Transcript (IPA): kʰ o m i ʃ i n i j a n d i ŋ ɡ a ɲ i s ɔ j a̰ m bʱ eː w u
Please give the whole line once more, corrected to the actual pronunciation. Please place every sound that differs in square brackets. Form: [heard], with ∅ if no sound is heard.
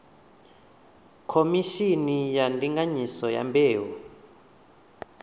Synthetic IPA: kʰ o m i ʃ i n i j a n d i ŋ ɡ a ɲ i s ɔ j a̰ m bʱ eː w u